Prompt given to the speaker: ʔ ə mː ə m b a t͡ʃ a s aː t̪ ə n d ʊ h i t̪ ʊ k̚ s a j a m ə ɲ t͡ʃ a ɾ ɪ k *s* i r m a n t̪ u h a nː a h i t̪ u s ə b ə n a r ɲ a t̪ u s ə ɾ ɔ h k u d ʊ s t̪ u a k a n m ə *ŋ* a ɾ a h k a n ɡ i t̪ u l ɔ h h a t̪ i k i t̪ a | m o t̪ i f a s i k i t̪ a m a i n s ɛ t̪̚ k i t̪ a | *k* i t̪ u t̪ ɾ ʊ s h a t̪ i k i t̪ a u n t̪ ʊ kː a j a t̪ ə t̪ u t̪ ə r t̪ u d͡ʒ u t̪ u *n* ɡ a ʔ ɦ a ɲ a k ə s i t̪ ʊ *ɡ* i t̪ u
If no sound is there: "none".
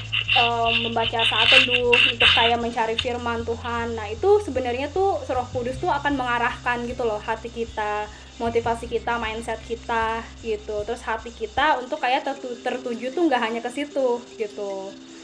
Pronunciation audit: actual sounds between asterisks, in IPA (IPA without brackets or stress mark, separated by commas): f, ŋ, ɡ, ŋ, ɡ